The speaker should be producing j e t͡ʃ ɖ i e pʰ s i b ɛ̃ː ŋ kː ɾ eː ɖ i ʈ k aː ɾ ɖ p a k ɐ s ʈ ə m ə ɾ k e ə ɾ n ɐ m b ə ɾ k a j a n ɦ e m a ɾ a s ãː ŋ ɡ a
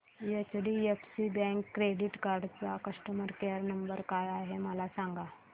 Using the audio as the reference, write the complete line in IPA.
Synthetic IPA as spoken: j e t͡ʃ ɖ i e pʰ s i b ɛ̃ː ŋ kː ɾ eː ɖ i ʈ k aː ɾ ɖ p a k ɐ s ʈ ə m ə ɾ k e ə ɾ n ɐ m b ə ɾ k a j a ɦ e m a l a s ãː ŋ ɡ a